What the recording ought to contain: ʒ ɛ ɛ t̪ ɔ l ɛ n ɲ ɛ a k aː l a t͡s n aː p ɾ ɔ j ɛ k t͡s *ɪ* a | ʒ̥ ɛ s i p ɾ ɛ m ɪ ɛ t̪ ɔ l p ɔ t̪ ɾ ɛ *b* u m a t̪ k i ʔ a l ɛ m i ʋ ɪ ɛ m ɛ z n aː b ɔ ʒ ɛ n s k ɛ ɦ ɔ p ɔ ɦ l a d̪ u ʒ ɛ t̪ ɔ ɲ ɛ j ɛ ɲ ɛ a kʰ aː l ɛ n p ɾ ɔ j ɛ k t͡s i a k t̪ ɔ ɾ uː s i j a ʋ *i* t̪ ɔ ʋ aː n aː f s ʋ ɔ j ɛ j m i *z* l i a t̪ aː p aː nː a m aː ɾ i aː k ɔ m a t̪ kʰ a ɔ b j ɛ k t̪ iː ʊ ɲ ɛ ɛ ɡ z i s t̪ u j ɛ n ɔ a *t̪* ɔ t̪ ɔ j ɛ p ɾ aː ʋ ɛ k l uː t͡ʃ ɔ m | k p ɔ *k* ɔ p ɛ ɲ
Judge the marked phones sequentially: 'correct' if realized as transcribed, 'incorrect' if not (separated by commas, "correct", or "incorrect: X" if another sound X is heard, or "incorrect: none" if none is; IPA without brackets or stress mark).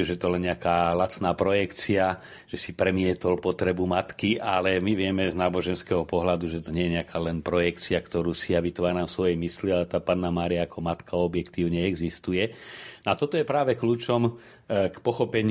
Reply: incorrect: i, correct, correct, incorrect: s, correct, incorrect: x